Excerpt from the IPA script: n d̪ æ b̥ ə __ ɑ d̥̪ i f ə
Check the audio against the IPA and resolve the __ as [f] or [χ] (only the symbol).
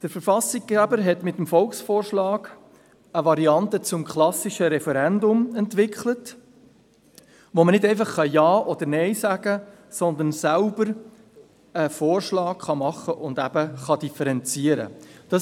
χ